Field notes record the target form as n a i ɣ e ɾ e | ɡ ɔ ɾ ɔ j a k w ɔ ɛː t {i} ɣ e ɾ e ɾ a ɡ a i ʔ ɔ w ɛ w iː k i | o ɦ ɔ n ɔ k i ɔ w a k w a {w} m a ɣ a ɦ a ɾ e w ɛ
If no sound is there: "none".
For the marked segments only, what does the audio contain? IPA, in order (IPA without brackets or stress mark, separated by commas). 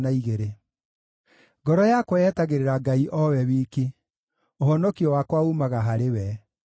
a, u